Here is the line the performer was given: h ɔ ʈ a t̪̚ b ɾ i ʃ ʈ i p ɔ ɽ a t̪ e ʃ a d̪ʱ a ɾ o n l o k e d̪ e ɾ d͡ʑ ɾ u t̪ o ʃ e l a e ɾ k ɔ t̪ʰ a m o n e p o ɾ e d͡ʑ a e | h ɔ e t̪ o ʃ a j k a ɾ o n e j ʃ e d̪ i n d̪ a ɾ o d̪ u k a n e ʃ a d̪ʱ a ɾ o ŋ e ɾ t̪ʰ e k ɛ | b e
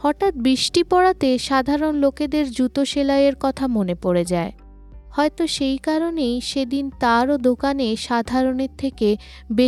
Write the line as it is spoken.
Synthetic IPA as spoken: h ɔ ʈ a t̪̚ b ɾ i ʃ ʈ i p ɔ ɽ a t̪ e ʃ a d̪ʱ a ɾ o n l o k e d̪ e ɾ d͡ʑ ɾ u t̪ o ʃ e l a e ɾ k ɔ t̪ʰ a m o n e p o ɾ e d͡ʑ a e | h ɔ e t̪ o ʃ e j k a ɾ o n e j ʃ e d̪ i n t̪ a ɾ o d̪ o k a n e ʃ a d̪ʱ a ɾ o n e ɾ t̪ʰ e k e | b e